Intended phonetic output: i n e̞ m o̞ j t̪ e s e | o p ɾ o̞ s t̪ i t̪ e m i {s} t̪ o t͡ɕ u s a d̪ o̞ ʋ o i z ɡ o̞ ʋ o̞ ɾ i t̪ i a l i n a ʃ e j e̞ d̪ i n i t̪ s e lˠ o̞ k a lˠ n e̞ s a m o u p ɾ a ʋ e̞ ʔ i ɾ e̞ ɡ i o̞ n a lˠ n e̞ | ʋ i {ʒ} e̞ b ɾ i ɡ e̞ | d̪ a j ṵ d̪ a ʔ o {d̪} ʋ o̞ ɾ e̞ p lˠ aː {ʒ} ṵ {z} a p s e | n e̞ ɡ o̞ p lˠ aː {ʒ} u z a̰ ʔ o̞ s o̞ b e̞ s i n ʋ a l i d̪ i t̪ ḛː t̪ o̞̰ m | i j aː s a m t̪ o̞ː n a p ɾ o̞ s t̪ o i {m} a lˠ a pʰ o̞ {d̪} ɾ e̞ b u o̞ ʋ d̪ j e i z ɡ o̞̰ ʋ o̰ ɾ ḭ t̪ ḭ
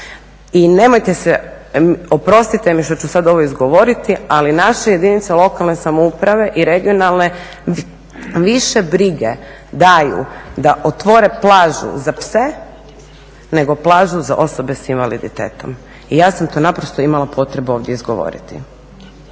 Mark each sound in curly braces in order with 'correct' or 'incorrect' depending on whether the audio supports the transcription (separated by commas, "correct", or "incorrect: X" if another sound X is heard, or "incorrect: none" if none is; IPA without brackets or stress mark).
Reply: incorrect: ʃ, incorrect: ʃ, incorrect: t̪, correct, correct, correct, correct, incorrect: t̪